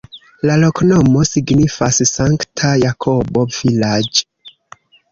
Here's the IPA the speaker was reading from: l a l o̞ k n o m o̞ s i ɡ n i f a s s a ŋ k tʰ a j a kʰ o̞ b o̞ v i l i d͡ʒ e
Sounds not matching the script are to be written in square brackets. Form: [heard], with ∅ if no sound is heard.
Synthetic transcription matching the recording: l a l o̞ k n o m o̞ s i ɡ n i f a s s a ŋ k tʰ a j a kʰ o̞ b o̞ v i l [a] d͡ʒ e